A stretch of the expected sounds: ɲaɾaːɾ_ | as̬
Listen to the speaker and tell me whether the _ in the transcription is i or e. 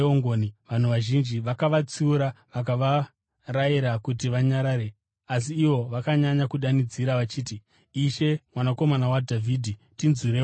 e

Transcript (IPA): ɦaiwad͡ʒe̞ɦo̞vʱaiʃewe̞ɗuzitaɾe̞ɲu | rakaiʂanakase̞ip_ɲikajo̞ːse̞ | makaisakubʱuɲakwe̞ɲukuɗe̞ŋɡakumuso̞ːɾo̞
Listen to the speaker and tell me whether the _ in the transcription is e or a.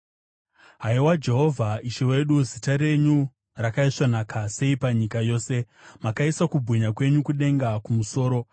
a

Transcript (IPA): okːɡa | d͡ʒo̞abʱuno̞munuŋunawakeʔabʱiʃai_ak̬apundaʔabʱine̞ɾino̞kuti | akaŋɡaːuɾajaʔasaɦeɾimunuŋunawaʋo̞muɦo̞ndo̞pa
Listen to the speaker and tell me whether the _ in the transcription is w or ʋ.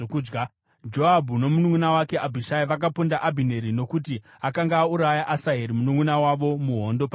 ʋ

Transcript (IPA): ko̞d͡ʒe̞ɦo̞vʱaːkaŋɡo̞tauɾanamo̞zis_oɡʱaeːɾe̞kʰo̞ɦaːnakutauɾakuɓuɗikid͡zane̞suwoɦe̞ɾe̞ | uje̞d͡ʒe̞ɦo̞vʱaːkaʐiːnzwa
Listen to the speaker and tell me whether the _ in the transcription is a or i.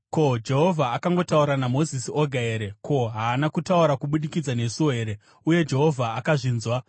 i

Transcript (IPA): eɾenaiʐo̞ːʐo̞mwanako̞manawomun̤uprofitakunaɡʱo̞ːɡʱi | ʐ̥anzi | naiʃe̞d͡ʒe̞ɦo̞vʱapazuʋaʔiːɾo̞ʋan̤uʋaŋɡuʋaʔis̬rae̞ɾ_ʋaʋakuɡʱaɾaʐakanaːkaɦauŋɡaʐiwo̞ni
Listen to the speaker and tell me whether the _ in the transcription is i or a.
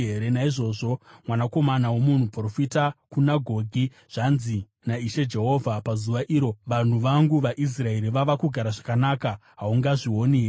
i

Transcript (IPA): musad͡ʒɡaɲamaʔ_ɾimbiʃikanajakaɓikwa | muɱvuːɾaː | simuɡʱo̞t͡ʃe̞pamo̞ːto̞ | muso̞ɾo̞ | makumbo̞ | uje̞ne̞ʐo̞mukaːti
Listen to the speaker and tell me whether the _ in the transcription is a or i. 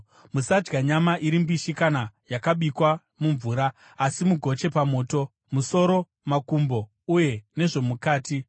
i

